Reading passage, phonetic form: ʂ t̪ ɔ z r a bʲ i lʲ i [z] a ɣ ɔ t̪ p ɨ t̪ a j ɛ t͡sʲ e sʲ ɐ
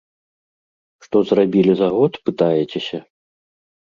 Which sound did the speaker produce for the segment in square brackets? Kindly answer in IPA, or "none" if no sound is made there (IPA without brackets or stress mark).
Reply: z